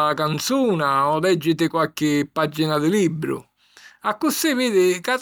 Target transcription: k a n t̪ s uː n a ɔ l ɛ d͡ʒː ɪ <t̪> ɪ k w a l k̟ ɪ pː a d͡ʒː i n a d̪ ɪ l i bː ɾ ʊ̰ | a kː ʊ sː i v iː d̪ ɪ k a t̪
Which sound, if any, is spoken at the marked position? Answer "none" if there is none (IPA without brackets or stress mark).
t̪